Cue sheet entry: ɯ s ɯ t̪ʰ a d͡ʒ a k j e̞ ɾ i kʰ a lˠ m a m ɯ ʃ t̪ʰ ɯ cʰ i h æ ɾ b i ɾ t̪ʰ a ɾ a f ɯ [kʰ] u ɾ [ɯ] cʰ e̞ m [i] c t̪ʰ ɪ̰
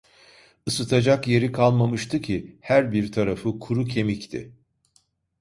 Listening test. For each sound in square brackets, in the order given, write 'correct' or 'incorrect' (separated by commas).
correct, incorrect, correct